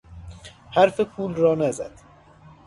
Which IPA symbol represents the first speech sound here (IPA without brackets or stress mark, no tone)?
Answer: h